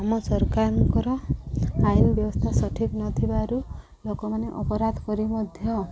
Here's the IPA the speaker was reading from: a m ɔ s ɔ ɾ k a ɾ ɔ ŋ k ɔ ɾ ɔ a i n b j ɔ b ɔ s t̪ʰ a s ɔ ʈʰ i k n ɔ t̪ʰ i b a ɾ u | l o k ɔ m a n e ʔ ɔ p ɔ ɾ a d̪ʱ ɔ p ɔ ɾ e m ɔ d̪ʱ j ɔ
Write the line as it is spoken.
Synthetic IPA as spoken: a m ɔ s ɔ ɾ k a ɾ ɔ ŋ k ɔ ɾ ɔ a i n b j ɔ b ɔ s t̪ʰ a s ɔ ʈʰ i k n ɔ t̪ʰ i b a ɾ u | l o k ɔ m a n e ʔ ɔ p ɔ ɾ a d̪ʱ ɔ k ɔ ɾ i m ɔ d̪ʱ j ɔ